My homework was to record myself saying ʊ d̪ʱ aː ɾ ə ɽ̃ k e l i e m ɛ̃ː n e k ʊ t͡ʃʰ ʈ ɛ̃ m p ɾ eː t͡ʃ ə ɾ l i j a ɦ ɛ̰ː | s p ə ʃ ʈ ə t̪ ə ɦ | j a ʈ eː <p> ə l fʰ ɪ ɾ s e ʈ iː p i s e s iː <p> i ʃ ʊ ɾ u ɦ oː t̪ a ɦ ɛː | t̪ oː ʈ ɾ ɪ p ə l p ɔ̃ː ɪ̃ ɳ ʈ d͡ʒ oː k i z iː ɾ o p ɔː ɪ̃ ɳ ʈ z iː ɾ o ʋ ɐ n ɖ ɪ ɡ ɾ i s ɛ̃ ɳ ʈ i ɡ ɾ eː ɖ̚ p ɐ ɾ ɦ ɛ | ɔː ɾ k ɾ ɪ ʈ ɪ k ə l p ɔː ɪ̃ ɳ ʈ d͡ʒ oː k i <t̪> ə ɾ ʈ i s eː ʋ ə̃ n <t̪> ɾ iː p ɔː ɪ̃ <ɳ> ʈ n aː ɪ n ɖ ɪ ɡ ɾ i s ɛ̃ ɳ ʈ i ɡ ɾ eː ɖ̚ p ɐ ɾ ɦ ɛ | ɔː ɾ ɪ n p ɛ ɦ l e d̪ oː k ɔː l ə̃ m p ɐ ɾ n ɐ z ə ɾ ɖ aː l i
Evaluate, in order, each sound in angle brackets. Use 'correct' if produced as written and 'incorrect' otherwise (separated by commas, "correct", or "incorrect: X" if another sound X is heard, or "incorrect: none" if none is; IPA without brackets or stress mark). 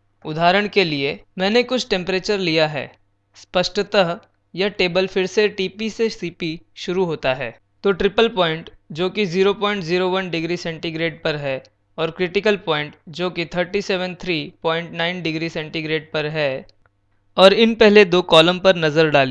incorrect: b, correct, incorrect: t̪ʰ, incorrect: t̪ʰ, correct